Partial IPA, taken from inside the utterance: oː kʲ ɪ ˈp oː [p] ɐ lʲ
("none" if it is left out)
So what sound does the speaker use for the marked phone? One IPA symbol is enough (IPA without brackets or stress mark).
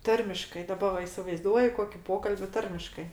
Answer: k